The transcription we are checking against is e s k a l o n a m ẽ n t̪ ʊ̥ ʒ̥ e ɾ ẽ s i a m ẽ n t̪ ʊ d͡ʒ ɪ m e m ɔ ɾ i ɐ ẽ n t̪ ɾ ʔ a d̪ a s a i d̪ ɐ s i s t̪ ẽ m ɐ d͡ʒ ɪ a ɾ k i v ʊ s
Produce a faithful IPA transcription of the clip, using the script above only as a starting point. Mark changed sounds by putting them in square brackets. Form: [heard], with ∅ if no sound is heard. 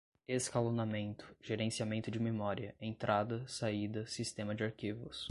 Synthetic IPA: e s k a l o n a m ẽ n t̪ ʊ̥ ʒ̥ e ɾ ẽ s i a m ẽ n t̪ ʊ d͡ʒ ɪ m e m ɔ ɾ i ɐ ẽ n t̪ ɾ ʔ a d̪ [ɐ] s a i d̪ ɐ s i s t̪ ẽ m ɐ d͡ʒ ɪ a ɾ k i v ʊ s